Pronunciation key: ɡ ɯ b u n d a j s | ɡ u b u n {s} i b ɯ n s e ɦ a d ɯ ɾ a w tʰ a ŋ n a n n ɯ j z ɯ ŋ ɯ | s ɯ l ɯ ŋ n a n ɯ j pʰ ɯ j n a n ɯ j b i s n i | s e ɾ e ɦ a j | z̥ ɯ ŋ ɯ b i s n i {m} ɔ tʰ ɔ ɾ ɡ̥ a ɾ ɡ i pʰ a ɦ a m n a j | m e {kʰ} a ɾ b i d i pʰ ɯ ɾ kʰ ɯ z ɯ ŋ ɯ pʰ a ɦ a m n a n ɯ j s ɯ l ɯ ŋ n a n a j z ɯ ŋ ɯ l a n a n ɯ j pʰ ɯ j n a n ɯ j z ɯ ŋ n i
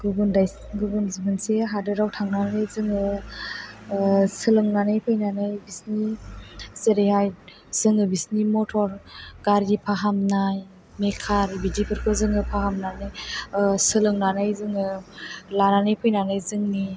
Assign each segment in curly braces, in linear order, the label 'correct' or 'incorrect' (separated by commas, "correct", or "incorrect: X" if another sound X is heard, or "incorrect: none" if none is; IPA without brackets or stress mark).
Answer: incorrect: z, correct, correct